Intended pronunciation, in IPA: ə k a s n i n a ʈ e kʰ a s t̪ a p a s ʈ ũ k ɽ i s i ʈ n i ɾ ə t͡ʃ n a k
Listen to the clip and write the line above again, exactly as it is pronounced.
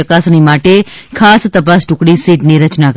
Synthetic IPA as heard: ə k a s n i m a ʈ e kʰ a s t̪ ə p a s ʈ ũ k ɽ i s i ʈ n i ɾ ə t͡ʃ n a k